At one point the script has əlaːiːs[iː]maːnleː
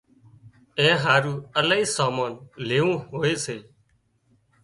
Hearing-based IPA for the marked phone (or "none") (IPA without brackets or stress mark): aː